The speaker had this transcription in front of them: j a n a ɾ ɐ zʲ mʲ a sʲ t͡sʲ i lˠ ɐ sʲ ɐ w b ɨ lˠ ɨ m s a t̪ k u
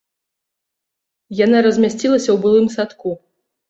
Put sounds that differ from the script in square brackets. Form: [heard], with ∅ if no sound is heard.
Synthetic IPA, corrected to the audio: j a n a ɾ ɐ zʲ mʲ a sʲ t͡sʲ i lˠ ɐ sʲ ɐ w b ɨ lˠ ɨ m s a t̪ k u